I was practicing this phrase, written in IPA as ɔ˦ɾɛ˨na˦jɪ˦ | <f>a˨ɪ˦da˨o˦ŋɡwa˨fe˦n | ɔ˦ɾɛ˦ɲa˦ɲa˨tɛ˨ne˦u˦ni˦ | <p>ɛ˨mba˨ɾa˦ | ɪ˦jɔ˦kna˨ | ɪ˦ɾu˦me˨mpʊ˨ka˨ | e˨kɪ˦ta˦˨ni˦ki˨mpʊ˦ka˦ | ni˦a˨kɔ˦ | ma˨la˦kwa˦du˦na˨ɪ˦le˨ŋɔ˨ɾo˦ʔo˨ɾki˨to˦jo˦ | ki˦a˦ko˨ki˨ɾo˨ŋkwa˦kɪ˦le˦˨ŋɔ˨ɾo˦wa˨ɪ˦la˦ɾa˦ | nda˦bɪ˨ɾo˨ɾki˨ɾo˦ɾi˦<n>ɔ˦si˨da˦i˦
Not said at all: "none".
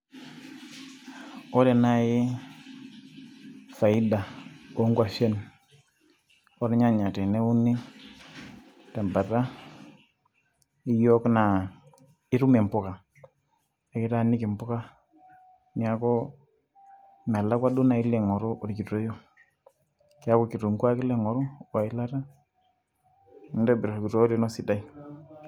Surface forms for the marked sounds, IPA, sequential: f, t, n

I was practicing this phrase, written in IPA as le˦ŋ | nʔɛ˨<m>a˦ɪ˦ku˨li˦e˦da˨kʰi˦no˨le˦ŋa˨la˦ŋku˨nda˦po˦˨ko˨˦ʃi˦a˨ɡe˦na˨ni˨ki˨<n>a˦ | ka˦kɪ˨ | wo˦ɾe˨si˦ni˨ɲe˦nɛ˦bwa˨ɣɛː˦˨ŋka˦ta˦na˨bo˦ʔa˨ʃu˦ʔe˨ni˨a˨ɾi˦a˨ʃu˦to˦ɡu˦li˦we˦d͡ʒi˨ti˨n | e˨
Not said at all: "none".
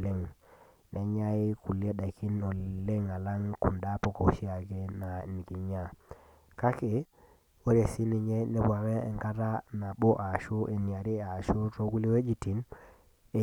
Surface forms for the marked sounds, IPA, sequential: ɲ, ɲ

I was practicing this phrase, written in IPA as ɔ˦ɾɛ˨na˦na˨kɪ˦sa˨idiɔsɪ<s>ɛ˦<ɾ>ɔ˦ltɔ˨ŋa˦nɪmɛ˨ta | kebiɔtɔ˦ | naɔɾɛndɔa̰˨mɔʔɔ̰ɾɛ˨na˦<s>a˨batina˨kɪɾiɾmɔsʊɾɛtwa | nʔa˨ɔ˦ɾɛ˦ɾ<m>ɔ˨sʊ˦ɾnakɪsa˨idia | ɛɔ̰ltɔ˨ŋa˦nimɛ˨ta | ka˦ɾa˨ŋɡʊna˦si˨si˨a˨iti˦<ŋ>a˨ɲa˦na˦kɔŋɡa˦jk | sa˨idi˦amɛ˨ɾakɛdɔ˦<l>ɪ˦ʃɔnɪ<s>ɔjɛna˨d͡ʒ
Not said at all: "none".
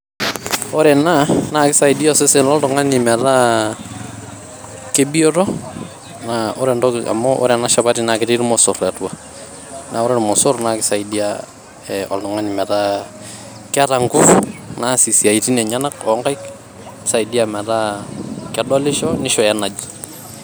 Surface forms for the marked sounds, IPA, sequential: s, l, ʃ, m, n, l, ʃ

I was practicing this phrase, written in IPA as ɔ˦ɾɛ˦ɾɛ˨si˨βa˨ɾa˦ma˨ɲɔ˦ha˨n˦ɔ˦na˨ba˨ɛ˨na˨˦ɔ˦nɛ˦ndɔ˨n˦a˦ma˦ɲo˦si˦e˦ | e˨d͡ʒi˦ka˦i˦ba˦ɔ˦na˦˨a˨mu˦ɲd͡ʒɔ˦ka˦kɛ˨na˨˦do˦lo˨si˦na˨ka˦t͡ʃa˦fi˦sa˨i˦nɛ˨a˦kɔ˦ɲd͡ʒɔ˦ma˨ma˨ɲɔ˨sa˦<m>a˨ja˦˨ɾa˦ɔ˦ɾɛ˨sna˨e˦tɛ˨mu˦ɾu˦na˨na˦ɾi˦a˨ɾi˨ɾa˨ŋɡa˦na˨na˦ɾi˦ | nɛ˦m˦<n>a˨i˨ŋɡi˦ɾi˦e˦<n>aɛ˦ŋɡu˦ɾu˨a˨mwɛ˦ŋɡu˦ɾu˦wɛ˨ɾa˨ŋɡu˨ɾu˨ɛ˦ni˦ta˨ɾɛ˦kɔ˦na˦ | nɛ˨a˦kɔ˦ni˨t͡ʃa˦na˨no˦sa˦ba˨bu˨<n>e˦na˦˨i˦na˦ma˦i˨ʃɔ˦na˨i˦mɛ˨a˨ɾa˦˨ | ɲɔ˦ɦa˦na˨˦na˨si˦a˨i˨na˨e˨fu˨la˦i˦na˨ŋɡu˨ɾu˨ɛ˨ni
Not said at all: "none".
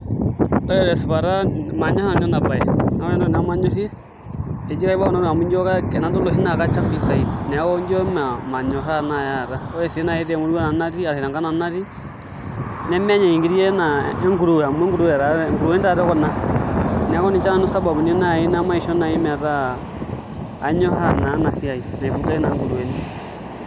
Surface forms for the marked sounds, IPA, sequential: n, ɲ, n, n

